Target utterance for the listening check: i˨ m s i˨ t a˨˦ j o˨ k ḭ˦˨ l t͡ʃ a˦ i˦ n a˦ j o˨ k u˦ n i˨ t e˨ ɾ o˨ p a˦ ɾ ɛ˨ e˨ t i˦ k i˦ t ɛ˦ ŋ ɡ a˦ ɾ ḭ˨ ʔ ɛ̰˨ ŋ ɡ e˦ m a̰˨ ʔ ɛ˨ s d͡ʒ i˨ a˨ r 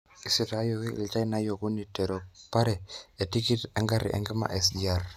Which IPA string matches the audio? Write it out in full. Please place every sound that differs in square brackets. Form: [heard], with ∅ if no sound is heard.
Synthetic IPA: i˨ [∅] s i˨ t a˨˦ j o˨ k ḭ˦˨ l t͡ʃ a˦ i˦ n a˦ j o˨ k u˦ n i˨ t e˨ ɾ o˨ p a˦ ɾ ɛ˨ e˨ t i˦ k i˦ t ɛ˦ ŋ ɡ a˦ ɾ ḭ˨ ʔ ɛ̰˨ ŋ ɡ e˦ m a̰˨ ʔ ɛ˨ s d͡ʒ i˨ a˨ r